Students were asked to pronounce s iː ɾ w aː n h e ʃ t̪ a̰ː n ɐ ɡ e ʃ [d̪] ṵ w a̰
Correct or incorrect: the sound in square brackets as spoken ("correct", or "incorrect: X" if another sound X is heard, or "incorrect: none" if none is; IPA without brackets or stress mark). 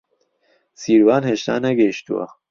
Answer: incorrect: t̪